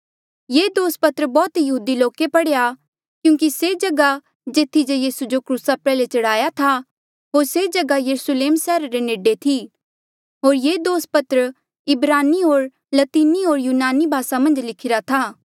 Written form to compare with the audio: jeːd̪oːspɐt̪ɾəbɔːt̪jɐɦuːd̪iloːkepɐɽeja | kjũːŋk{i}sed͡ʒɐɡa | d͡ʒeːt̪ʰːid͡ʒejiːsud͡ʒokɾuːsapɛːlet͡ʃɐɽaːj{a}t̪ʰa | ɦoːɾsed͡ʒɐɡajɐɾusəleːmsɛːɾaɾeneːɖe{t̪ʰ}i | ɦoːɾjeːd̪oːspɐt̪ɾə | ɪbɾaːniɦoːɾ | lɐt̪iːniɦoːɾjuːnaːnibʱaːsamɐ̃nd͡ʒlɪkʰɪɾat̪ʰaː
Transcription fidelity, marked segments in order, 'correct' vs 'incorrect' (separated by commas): correct, correct, correct